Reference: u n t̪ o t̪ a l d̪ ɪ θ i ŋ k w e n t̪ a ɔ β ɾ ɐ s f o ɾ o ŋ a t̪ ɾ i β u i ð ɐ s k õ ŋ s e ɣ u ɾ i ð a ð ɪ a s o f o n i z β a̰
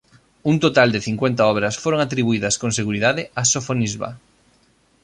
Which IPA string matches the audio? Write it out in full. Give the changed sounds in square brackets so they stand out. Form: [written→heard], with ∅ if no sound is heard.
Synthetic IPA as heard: u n t̪ o t̪ a l d̪ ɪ θ i ŋ k w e n t̪ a ɔ β ɾ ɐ s f o ɾ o ŋ a t̪ ɾ i β u i ð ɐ s k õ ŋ s e ɣ u ɾ i ð a ð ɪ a s o f o n i z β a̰